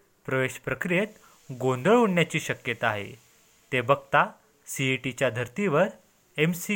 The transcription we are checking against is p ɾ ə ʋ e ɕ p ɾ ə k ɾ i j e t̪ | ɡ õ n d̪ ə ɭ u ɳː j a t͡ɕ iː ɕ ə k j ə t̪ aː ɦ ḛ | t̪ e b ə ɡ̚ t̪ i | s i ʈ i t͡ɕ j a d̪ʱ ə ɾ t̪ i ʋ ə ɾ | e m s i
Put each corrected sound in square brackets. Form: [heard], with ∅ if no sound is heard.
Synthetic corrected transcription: p ɾ ə ʋ e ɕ p ɾ ə k ɾ i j e t̪ | ɡ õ n d̪ ə ɭ u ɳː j a t͡ɕ iː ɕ ə k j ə t̪ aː ɦ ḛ | t̪ e b ə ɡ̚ t̪ [a] | s i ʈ i t͡ɕ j a d̪ʱ ə ɾ t̪ i ʋ ə ɾ | e m s i